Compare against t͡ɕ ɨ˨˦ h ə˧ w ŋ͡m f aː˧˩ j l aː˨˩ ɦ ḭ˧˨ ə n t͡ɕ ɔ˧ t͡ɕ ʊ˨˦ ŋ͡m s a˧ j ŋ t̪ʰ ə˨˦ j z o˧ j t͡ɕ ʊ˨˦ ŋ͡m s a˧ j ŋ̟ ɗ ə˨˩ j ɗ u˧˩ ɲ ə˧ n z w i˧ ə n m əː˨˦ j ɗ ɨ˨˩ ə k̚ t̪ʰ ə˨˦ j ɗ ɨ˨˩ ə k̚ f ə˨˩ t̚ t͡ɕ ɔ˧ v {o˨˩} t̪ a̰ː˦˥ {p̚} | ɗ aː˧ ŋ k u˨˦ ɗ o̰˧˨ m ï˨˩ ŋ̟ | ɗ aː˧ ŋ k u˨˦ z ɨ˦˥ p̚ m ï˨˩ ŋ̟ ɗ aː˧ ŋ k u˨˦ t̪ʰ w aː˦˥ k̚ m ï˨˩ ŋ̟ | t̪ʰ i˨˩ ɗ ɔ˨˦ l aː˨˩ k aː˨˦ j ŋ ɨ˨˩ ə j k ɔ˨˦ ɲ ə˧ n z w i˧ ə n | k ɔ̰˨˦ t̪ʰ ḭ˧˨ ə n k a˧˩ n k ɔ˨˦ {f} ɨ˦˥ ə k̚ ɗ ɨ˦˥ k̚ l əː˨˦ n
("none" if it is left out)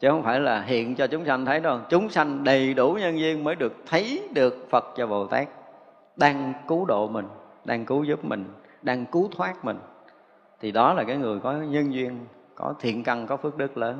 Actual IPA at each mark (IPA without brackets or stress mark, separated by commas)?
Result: o˨˩, k̚, f